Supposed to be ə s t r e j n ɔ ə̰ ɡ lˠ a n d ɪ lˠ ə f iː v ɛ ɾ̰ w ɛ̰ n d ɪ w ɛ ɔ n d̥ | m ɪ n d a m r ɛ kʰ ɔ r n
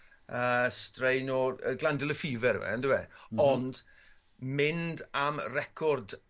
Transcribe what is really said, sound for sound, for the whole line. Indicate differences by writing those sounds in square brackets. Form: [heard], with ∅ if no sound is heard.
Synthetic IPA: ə s t r e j n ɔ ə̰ ɡ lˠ a n d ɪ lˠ ə f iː v ɛ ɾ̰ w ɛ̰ n d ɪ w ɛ ɔ n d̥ | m ɪ n d a m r ɛ kʰ ɔ r [d]